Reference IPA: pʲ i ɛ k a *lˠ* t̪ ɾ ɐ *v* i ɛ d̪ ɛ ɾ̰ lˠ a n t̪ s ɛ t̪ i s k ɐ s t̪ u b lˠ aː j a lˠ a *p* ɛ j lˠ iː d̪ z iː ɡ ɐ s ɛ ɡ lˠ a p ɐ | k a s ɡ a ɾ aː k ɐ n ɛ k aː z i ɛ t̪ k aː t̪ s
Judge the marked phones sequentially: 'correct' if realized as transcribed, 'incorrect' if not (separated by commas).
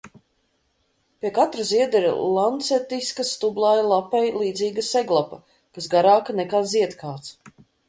incorrect, incorrect, correct